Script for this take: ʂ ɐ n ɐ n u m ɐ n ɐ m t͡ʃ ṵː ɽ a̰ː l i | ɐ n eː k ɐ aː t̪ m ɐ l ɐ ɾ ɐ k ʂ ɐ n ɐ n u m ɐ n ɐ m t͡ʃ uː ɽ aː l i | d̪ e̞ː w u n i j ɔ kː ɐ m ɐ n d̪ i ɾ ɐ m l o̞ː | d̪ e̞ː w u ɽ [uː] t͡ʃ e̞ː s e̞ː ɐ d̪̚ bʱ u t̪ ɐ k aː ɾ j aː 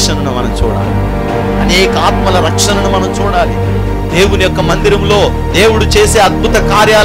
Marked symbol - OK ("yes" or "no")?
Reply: no